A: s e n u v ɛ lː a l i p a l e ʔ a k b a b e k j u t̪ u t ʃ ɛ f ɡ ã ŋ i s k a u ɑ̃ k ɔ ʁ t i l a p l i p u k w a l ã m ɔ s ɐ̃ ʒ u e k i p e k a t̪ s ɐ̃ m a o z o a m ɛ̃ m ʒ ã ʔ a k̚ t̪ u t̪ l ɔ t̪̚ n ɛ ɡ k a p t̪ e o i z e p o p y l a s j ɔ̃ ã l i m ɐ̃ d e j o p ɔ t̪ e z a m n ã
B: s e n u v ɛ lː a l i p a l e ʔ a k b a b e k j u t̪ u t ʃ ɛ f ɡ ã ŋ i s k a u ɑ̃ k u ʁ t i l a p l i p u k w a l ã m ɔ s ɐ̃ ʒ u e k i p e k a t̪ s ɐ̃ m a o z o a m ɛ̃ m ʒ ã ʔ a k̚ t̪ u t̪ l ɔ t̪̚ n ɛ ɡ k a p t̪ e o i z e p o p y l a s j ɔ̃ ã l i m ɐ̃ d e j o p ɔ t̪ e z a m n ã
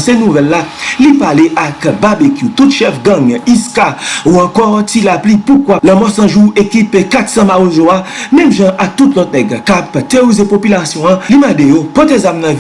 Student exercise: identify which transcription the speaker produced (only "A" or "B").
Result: A